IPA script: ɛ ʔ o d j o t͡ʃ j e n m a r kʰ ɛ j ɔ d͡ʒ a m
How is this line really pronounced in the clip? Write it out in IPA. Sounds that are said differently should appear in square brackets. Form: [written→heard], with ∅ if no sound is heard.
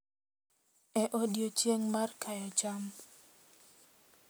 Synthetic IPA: ɛ ʔ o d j o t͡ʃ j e [n→ŋ] m a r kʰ [ɛ→a] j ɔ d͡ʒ a m

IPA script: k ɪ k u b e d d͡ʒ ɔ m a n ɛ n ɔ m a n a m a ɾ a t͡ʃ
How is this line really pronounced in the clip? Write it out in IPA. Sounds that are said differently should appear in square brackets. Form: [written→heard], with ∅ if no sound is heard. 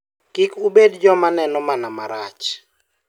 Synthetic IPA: k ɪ k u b e d d͡ʒ ɔ m a n ɛ n ɔ m a n a m a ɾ a t͡ʃ

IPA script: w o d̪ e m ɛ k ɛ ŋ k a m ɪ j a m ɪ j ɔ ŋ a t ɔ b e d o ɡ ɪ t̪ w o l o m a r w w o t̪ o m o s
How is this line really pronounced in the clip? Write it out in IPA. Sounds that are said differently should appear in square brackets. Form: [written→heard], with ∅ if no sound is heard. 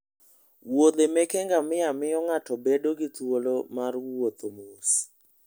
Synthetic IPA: w o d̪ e m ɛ k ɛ ŋ [k→ɡ] a m ɪ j a m ɪ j ɔ ŋ a t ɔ b e d o ɡ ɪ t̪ w o l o m a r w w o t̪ o m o s

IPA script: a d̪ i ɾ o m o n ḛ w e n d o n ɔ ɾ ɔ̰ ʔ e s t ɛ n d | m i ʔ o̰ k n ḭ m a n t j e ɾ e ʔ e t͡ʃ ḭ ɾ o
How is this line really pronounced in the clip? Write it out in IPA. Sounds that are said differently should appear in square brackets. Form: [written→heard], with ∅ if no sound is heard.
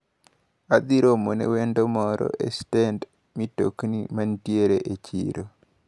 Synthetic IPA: a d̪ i ɾ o m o n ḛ w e n d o [n→m] ɔ ɾ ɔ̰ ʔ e s t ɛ n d | m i [ʔ→t] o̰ k n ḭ m a n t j e ɾ e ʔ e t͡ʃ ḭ ɾ o

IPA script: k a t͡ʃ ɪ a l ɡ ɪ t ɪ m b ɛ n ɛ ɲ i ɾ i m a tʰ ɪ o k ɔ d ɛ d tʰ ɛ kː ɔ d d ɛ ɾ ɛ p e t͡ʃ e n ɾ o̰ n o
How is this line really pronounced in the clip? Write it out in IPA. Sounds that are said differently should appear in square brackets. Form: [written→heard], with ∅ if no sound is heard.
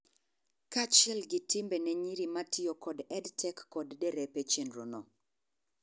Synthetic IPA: k a t͡ʃ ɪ [a→ɛ] l ɡ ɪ t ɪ m b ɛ n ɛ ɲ i ɾ i m a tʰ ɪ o k ɔ d ɛ d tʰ ɛ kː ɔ d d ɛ ɾ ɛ p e t͡ʃ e n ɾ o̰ n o

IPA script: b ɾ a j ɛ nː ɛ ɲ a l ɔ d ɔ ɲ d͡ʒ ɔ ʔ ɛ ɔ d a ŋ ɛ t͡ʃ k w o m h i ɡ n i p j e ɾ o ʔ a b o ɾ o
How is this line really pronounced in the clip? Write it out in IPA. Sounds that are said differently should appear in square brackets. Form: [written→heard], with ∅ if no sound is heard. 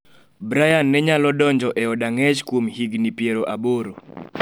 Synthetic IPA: b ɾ a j [ɛ→a] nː ɛ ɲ a l ɔ d ɔ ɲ d͡ʒ ɔ ʔ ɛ ɔ d a ŋ ɛ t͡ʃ k w o m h i ɡ n i p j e ɾ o ʔ a b o ɾ o

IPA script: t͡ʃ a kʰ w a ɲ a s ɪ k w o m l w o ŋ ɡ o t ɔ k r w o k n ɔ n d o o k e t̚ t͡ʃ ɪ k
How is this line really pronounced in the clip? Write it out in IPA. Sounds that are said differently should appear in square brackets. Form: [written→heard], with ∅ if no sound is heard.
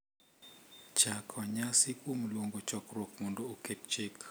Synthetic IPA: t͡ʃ a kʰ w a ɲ a s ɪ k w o m l w o ŋ ɡ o [t→t͡ʃ] ɔ k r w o k [n→m] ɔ n d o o k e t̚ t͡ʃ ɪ k

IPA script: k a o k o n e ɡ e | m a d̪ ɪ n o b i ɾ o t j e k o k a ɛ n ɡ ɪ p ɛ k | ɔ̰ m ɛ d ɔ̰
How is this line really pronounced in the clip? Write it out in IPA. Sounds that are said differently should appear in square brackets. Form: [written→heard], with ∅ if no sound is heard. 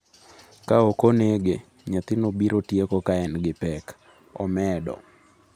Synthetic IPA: k a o k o n e ɡ e | [m→ɲ] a [d̪→t̪] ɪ n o b i ɾ o t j e k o k a ɛ n ɡ ɪ p ɛ k | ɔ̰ m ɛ d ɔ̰

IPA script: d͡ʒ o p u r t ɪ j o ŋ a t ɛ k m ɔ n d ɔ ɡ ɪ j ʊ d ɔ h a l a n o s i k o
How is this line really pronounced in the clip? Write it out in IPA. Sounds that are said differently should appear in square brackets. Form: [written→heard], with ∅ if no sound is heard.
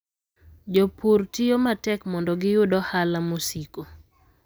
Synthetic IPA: d͡ʒ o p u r t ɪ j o [ŋ→m] a t ɛ k m ɔ n d ɔ ɡ ɪ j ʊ d ɔ h a l a [n→m] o s i k o

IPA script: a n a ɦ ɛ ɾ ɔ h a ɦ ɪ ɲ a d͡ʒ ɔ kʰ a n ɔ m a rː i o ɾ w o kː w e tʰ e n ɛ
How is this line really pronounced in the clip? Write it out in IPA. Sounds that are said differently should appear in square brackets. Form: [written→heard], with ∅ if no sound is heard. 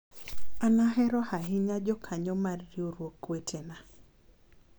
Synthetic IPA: a n a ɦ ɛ ɾ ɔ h a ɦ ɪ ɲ a d͡ʒ ɔ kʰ a [n→ɲ] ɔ m a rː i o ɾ w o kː w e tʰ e n [ɛ→a]

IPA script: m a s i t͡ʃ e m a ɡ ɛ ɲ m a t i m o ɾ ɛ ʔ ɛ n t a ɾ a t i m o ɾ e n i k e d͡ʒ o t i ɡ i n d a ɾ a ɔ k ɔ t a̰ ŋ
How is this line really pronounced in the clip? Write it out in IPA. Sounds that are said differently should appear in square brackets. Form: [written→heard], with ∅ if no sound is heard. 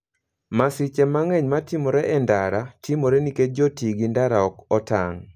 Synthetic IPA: m a s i t͡ʃ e m a [ɡ→ŋ] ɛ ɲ m a t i m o ɾ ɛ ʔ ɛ n [t→d] a ɾ a t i m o ɾ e n i k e d͡ʒ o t i ɡ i n d a ɾ a ɔ k ɔ t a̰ ŋ

